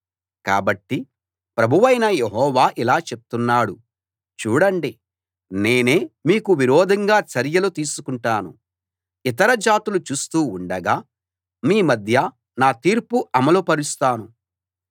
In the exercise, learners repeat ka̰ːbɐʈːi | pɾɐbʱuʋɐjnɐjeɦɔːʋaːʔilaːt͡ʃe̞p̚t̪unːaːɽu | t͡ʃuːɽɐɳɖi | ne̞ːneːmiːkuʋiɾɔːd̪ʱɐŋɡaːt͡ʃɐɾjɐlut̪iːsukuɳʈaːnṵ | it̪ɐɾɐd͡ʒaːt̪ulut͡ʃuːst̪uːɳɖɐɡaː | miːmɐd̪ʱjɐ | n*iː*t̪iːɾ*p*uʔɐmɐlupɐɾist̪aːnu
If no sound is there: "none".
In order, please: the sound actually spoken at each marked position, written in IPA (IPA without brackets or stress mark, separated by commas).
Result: aː, p